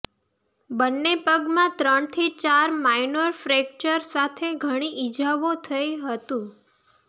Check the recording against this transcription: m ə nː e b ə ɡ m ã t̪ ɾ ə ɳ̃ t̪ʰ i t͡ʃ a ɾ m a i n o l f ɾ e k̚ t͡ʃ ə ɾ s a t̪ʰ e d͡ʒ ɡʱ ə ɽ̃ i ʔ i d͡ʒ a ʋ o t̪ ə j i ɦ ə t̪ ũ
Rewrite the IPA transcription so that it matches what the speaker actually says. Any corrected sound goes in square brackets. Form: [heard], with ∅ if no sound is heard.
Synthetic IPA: [b] ə nː e [p] ə ɡ m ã t̪ ɾ ə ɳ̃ t̪ʰ i t͡ʃ a ɾ m a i n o [ɾ] f ɾ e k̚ t͡ʃ ə ɾ s a t̪ʰ e [∅] ɡʱ ə ɽ̃ i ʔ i d͡ʒ a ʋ o [t̪ʰ] ə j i ɦ ə t̪ ũ